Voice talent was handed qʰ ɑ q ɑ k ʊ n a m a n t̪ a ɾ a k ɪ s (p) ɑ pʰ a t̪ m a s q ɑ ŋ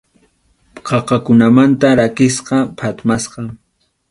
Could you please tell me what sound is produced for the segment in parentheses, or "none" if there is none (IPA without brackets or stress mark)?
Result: q